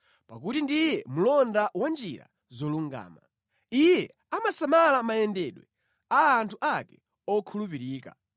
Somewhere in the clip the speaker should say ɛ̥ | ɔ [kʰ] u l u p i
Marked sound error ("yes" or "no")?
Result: no